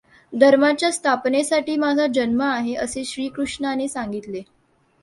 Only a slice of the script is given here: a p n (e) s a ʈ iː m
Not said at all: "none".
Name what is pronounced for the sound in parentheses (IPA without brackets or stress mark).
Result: e